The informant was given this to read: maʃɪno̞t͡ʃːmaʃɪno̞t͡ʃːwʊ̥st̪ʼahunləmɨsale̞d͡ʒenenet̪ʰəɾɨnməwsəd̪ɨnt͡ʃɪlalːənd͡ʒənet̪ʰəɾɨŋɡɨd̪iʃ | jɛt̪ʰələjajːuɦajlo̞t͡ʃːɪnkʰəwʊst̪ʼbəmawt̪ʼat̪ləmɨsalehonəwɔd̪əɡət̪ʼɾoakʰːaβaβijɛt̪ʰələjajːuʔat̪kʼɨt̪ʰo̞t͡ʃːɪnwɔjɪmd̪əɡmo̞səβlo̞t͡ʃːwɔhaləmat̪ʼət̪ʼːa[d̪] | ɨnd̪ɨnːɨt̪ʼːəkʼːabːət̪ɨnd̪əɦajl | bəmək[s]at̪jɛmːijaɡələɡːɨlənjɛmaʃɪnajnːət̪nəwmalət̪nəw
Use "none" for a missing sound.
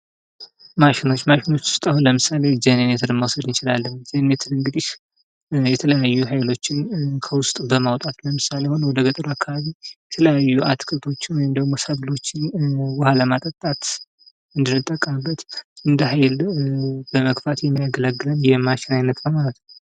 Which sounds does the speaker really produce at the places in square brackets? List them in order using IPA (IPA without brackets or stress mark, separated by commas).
t̪, f